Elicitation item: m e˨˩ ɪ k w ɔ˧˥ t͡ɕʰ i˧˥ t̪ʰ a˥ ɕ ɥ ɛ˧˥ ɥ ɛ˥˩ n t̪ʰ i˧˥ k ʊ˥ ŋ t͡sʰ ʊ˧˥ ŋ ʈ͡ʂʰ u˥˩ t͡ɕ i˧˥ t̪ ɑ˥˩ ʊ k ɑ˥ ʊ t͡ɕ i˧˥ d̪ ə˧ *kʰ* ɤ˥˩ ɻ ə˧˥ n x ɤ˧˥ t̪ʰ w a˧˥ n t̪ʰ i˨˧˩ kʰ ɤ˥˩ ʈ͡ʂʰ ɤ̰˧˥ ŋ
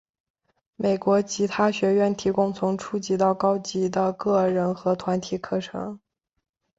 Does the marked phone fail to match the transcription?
yes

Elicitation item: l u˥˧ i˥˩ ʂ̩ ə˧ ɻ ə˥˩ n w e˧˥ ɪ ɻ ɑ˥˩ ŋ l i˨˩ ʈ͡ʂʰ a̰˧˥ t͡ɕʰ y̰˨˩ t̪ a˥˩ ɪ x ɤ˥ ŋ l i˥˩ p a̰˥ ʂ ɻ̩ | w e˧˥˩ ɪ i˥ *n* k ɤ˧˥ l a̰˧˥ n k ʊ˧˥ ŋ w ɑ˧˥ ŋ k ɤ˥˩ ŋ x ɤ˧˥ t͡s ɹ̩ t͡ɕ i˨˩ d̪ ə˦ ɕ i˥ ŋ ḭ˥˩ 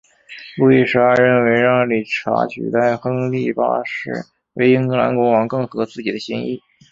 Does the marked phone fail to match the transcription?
yes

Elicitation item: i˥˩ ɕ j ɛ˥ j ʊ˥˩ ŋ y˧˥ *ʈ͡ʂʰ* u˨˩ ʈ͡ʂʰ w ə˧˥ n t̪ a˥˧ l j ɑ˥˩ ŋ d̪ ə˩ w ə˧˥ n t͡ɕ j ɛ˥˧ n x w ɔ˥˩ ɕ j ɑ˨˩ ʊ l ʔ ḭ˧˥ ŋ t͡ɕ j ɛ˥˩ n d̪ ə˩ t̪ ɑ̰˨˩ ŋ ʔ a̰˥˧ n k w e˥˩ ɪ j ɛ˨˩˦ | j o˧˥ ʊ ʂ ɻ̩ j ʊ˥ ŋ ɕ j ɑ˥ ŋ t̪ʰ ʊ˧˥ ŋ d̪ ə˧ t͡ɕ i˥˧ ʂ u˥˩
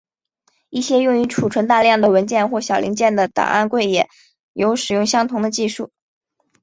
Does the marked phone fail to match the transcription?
no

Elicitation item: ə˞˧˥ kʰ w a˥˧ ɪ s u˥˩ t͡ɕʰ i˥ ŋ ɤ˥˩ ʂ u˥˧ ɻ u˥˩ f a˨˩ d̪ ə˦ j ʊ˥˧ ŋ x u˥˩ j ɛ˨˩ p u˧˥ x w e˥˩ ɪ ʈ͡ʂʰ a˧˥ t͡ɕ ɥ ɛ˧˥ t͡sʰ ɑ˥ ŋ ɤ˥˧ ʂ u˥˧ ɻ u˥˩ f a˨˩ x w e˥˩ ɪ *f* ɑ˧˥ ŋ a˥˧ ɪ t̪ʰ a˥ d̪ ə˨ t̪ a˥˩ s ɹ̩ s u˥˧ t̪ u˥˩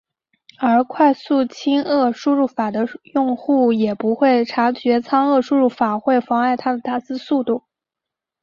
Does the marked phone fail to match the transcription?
no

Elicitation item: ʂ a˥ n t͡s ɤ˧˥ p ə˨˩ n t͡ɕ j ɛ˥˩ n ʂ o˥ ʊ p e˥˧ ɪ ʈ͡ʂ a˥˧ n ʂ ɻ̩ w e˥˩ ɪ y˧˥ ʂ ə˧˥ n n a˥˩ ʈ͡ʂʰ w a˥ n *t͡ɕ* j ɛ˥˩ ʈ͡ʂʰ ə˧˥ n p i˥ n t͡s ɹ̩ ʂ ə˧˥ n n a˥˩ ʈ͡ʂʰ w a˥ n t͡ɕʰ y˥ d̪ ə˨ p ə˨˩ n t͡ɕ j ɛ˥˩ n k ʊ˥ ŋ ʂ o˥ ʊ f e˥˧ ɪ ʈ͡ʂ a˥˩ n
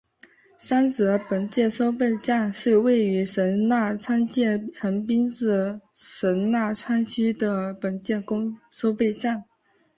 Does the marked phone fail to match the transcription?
no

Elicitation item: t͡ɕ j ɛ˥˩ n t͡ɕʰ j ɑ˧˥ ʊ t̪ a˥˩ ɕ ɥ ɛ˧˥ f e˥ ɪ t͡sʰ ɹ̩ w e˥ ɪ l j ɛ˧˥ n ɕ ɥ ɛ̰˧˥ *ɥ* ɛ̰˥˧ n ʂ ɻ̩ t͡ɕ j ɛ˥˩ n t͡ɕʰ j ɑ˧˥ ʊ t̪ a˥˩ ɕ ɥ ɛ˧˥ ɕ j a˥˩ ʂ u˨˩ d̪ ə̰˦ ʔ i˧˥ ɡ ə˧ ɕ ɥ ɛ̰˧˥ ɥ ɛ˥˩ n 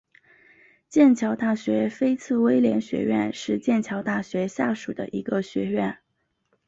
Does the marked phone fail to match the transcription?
no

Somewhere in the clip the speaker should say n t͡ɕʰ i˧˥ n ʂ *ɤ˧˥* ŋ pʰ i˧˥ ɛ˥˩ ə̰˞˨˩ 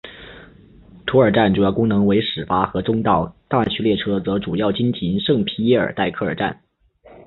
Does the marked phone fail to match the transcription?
yes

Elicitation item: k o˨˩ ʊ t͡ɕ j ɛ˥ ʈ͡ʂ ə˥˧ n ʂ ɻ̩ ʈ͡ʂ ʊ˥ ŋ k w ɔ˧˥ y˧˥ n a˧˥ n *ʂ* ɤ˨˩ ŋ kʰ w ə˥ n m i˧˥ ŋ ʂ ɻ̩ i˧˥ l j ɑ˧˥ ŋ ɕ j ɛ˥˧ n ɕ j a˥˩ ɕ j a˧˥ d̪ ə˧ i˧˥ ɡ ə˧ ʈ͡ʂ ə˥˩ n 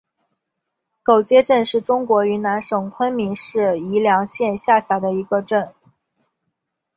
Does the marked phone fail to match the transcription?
no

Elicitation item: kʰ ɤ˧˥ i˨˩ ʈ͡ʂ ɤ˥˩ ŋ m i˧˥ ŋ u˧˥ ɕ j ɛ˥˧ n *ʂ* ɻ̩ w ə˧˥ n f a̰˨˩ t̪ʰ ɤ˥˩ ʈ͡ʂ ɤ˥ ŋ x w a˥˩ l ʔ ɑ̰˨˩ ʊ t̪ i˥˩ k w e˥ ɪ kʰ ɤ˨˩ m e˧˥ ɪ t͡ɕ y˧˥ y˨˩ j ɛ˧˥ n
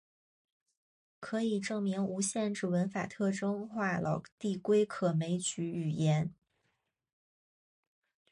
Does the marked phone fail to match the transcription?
yes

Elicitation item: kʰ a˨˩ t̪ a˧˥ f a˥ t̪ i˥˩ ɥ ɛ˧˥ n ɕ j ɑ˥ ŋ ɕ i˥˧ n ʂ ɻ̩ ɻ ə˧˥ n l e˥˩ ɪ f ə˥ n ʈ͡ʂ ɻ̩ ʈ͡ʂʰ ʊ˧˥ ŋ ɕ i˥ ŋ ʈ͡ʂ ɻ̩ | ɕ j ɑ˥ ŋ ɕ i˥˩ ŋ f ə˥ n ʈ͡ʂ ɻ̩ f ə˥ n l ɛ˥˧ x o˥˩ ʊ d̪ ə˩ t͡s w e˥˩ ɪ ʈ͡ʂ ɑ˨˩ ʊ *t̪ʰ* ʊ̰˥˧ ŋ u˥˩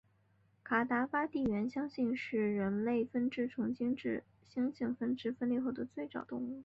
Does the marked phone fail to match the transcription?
yes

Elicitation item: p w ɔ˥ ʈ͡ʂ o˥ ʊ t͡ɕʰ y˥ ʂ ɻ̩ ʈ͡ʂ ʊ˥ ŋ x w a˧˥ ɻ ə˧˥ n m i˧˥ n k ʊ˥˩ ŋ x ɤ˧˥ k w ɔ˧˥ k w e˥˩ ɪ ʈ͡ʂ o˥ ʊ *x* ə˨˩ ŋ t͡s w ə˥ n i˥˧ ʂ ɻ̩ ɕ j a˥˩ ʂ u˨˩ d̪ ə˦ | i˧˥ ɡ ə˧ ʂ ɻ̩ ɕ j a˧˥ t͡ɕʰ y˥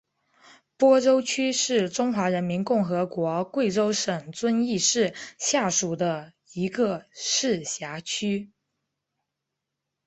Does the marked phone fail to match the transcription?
yes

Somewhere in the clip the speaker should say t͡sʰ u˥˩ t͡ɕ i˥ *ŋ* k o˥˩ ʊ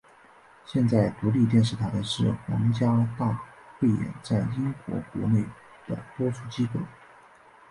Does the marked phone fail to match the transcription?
yes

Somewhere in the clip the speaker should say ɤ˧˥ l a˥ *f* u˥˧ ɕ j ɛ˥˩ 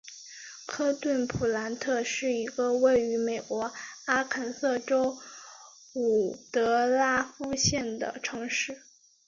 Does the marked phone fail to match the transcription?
no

